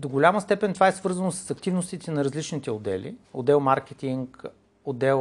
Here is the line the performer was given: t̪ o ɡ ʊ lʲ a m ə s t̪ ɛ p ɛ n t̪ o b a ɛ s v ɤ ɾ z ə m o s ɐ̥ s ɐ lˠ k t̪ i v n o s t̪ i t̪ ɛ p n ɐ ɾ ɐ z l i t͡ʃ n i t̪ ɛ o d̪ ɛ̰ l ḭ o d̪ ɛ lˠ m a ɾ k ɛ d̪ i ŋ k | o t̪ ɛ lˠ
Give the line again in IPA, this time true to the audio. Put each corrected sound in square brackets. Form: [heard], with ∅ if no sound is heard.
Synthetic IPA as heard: [d̪] o ɡ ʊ lʲ a m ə s t̪ ɛ p ɛ n t̪ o [v] a ɛ s v ɤ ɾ z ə [n] o s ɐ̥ s ɐ [∅] k t̪ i v n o s t̪ i t̪ ɛ [∅] n ɐ ɾ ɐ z l i t͡ʃ n i t̪ ɛ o d̪ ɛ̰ l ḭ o d̪ ɛ lˠ m a ɾ k ɛ [t̪] i ŋ k | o [d̪] ɛ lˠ